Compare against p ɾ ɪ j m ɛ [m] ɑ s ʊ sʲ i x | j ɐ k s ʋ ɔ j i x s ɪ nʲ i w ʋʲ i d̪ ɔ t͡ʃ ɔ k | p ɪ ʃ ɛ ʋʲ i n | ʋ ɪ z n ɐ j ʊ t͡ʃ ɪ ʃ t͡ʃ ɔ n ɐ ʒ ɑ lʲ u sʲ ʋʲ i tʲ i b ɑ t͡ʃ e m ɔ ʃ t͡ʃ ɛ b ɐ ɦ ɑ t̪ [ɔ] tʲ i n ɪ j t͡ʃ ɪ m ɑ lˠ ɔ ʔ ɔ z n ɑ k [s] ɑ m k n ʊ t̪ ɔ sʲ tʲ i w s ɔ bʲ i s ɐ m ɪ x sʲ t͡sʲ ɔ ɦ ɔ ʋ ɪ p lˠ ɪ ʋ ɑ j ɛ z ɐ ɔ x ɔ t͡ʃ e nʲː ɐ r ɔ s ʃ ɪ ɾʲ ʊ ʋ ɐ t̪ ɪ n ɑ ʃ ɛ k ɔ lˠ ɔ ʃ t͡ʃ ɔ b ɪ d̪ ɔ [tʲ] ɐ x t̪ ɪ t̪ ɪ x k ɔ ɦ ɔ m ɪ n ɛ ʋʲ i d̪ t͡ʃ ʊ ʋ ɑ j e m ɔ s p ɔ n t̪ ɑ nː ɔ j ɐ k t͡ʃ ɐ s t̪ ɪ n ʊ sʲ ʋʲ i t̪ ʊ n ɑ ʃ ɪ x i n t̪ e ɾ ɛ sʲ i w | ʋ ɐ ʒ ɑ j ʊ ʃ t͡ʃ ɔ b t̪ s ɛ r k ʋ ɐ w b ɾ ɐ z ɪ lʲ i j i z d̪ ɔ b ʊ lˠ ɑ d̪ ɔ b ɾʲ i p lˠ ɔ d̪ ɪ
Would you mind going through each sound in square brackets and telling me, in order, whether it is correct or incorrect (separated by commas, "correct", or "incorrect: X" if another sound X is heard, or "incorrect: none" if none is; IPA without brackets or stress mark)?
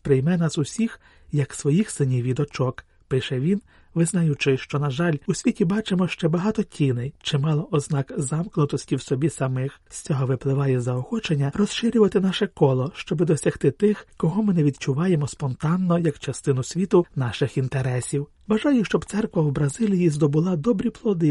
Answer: incorrect: n, correct, incorrect: z, incorrect: sʲ